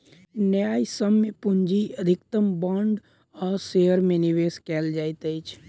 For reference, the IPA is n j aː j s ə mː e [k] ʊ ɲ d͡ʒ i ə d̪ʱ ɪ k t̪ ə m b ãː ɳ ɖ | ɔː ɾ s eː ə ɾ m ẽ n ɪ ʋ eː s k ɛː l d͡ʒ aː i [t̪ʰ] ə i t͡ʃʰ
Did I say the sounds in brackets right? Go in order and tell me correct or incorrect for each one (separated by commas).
incorrect, incorrect